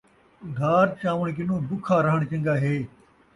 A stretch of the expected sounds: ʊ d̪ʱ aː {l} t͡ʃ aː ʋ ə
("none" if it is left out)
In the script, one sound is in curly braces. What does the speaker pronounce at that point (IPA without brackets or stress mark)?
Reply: ɾ